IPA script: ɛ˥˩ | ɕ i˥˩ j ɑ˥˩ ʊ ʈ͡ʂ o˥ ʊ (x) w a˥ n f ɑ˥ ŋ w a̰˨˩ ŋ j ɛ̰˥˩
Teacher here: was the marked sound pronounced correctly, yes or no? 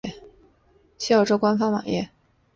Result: no